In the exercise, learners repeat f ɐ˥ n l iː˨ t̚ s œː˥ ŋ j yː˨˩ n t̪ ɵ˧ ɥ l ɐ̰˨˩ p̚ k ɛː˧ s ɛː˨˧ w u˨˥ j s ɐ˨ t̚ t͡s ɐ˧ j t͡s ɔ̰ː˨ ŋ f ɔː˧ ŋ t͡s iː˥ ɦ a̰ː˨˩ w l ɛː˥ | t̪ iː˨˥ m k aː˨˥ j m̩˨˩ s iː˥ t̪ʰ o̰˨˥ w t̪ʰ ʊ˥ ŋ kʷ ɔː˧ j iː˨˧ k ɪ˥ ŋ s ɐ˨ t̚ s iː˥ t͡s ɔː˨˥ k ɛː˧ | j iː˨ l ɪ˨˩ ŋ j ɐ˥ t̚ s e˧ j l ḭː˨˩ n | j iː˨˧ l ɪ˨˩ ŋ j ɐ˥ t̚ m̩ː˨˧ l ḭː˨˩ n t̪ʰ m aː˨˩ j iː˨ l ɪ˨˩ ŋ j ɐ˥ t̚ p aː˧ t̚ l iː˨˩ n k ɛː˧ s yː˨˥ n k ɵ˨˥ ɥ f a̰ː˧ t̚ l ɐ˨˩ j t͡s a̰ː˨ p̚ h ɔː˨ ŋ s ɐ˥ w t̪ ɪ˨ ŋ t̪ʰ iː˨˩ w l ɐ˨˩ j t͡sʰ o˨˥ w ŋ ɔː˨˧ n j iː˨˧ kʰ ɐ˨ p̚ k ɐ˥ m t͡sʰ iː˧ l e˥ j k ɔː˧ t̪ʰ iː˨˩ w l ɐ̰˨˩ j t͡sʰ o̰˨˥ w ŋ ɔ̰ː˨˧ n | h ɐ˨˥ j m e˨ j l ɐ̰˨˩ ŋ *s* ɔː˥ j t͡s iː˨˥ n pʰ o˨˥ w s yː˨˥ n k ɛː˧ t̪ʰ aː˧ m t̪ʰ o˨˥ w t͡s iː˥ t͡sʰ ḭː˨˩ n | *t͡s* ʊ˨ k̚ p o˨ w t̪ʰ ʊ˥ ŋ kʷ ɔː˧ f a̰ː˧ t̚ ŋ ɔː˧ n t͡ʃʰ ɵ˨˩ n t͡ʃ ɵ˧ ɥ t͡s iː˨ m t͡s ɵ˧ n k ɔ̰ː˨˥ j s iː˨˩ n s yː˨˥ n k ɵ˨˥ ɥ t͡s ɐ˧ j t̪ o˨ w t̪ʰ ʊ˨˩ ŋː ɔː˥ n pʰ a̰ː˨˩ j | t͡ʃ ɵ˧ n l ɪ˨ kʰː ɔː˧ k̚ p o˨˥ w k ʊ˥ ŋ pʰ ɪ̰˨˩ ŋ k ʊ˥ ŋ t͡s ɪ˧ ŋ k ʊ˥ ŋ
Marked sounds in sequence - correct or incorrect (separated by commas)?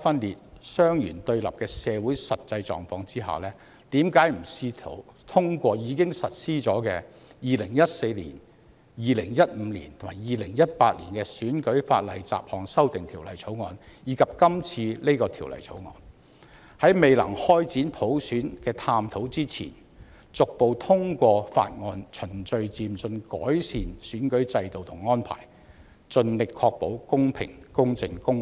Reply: incorrect, correct